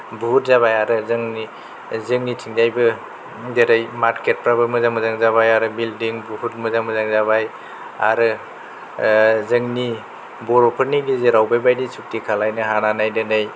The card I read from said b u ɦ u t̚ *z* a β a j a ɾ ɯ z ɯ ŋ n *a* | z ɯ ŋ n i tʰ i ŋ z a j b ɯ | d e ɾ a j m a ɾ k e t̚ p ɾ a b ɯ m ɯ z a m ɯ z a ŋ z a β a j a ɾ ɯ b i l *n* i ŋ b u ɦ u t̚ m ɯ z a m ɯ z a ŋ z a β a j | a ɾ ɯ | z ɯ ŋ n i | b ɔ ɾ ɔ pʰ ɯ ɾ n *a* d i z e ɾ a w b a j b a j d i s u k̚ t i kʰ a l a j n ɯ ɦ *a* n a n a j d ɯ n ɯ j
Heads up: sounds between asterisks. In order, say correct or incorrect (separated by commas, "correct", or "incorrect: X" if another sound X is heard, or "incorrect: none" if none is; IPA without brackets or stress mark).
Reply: correct, incorrect: i, incorrect: d, incorrect: i, correct